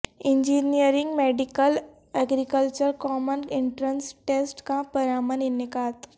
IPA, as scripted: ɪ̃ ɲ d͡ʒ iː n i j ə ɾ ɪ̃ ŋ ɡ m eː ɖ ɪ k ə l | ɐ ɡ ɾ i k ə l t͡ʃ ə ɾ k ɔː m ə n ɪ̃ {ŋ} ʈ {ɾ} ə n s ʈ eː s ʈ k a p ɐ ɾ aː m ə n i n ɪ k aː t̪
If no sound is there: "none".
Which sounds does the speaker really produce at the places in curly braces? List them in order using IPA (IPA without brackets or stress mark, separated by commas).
ɳ, ɾ